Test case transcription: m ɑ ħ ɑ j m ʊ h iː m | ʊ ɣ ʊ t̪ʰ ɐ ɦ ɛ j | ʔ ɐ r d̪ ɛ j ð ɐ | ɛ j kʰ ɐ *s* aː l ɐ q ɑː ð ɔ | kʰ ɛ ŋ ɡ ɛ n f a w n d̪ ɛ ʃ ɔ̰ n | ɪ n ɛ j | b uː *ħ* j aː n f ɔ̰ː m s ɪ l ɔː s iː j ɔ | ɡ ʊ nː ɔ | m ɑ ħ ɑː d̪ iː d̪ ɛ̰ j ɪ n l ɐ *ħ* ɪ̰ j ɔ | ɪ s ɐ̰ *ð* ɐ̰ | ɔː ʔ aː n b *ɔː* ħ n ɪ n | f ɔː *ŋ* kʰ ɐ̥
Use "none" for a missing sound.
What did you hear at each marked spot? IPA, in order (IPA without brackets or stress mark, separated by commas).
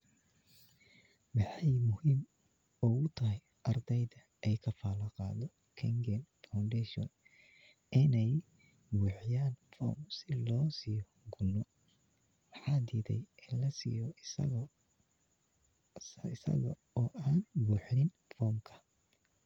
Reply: f, ħ, s, ɣ, uː, m